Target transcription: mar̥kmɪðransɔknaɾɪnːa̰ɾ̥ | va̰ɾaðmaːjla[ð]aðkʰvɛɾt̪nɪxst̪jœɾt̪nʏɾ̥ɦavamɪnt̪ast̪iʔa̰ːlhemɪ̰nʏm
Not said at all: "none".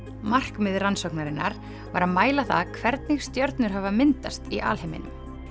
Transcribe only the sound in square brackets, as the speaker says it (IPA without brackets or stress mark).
θ